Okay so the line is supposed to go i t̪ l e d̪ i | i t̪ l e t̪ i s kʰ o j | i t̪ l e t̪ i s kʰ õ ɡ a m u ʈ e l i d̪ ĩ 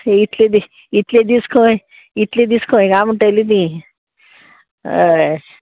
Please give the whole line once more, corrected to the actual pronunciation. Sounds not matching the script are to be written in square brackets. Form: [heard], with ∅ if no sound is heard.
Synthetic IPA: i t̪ l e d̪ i | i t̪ l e [d̪] i s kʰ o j | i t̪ l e [d̪] i s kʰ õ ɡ a m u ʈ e l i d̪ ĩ

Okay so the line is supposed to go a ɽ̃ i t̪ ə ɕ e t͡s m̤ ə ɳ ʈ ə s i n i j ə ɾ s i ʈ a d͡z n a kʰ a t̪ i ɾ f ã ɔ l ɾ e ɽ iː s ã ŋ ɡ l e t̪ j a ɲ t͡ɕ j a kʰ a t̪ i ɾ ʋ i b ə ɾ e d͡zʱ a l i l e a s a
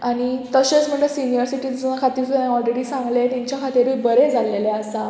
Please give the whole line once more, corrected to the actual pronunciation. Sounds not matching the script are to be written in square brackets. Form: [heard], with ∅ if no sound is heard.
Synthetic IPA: a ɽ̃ i t̪ ə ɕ e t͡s m̤ ə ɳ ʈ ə s i n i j ə ɾ s i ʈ [i] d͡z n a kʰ a t̪ i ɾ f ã ɔ l ɾ e ɽ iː s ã ŋ ɡ l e t̪ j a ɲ t͡ɕ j a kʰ a t̪ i ɾ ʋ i b ə ɾ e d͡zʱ a l [e] l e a s a

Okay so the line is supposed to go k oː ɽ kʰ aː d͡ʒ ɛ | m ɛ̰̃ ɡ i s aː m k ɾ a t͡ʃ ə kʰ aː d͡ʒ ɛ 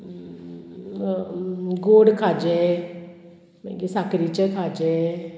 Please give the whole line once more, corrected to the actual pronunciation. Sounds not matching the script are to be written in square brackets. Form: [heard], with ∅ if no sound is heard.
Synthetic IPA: [ɡ] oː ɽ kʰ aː d͡ʒ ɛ | m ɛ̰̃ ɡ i s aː [∅] k ɾ [i] t͡ʃ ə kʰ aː d͡ʒ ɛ

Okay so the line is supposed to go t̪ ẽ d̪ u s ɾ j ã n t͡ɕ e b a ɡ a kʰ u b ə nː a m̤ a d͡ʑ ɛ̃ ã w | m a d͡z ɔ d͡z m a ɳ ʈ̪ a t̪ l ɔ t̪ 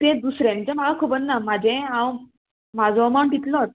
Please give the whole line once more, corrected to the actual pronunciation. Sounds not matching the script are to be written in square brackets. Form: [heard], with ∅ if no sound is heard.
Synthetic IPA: t̪ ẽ d̪ u s ɾ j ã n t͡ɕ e [m] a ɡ a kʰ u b ə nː a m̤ a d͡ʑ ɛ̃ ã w | m a d͡z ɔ [∅] m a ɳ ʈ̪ [i] t̪ l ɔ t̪

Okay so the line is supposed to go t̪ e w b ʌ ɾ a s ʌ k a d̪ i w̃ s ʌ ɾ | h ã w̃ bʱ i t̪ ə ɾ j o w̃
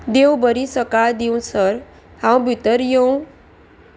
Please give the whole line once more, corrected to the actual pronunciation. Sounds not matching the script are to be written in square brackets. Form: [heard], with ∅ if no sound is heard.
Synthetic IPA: [d̪] e w b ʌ ɾ [i] s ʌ k a d̪ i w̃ s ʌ ɾ | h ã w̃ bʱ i t̪ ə ɾ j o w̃

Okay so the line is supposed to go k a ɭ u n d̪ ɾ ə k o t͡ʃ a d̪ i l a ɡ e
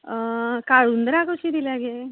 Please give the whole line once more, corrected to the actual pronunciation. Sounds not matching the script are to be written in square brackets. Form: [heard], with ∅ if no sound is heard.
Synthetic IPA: k a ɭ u n d̪ ɾ [a] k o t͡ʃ [i] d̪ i l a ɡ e

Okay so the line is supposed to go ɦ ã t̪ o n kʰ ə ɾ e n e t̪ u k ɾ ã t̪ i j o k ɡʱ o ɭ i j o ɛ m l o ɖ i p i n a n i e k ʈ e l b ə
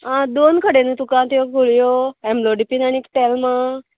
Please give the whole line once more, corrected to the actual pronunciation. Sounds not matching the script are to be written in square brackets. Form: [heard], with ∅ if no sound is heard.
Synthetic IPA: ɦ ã [d̪] o n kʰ ə [ɽ] e n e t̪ u k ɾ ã t̪ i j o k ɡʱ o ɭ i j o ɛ m l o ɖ i p i n a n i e k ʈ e l [m] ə

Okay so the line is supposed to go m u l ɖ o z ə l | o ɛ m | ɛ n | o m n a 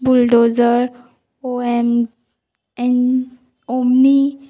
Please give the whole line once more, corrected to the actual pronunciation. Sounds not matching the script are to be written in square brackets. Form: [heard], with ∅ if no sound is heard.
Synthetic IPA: [b] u l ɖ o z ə [ɾ] | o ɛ m | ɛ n | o m n [i]

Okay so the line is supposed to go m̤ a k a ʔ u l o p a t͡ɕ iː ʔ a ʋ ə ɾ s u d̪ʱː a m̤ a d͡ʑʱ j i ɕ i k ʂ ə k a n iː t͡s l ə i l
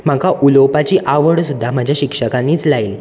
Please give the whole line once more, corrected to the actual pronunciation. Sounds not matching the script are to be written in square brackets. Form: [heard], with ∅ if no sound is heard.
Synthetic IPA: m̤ a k a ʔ u l o p a t͡ɕ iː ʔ a ʋ ə [ɽ] s u d̪ʱː a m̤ a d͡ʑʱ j [a] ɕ i k ʂ ə k a n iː t͡s l [a] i l

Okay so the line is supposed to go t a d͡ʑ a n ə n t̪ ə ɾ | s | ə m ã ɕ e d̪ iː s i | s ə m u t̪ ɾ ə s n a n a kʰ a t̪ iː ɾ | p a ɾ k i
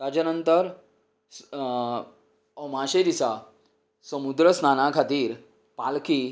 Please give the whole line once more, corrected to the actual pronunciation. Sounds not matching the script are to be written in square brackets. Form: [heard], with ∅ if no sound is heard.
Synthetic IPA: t a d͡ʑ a n ə n t̪ ə ɾ | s | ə m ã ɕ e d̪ [i] s [a] | s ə m u [d̪] ɾ ə s n a n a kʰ a t̪ iː ɾ | p a [l] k i

